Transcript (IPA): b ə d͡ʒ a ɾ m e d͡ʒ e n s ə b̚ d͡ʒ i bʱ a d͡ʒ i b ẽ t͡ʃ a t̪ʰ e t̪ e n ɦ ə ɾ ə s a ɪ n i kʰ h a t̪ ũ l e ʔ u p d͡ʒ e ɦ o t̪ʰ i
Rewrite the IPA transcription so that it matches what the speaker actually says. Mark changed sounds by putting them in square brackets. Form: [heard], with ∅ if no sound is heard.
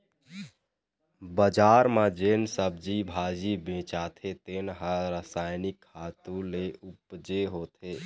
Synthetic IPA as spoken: b ə d͡ʒ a ɾ m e d͡ʒ e n s ə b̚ d͡ʒ i bʱ a d͡ʒ i b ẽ t͡ʃ a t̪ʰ e t̪ e n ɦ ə ɾ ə s a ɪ n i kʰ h a t̪ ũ l e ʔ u p d͡ʒ e ɦ o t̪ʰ [e]